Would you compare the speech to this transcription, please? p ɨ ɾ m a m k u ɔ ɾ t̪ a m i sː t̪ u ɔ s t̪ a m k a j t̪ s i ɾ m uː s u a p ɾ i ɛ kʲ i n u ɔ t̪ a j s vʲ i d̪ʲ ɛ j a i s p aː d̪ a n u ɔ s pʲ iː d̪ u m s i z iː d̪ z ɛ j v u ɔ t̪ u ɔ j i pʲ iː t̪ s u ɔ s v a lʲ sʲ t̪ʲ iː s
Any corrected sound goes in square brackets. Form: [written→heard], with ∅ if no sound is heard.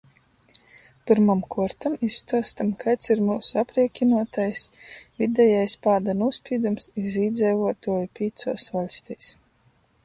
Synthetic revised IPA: p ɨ ɾ m a m k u ɔ ɾ t̪ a m i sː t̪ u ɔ s t̪ a m k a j t̪ s i ɾ m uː s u a p ɾ i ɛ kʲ i n u ɔ t̪ a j s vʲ i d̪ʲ ɛ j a [i→j] s p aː d̪ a n u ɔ s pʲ iː d̪ u m s i z iː d̪ z ɛ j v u ɔ t̪ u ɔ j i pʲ iː t̪ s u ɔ s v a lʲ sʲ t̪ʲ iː s